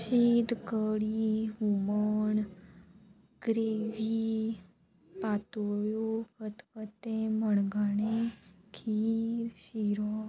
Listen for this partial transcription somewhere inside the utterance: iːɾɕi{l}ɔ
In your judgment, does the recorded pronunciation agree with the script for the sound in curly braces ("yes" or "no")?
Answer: no